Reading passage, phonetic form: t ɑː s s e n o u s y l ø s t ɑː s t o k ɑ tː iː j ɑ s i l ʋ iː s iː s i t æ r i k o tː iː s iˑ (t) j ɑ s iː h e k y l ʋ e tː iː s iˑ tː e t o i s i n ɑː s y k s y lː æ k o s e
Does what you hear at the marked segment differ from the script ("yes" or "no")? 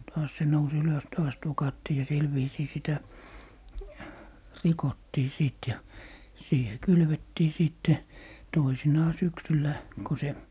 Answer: no